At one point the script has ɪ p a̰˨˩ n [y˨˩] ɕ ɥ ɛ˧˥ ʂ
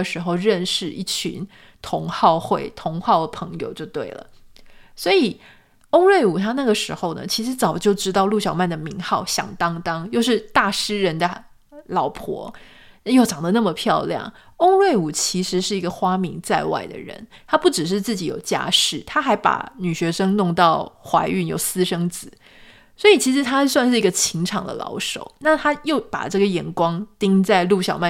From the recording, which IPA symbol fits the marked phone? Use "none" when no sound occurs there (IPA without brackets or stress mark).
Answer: y˨˩